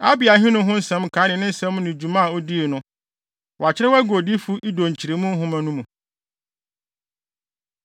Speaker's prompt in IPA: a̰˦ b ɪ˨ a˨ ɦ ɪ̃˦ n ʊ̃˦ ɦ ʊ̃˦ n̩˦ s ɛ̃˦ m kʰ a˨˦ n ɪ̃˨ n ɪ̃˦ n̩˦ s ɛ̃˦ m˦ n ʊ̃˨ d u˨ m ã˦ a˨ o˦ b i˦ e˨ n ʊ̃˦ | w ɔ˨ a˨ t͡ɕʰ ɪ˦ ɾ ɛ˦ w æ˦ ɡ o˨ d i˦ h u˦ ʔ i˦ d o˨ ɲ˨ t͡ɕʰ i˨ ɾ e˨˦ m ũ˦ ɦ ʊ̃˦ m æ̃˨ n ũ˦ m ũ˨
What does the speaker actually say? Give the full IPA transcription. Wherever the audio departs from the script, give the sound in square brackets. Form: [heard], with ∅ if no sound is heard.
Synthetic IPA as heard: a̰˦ b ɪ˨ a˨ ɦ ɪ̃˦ n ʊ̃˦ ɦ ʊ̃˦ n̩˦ s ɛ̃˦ m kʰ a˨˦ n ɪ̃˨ n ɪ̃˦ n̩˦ s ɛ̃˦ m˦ n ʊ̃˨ [d͡ʑ] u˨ m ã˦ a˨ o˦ [d] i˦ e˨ n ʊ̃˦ | w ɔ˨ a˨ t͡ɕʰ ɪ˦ ɾ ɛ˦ w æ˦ ɡ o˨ d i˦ [f] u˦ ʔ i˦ d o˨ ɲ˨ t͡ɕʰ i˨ ɾ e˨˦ m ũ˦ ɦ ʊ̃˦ m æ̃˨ n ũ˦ m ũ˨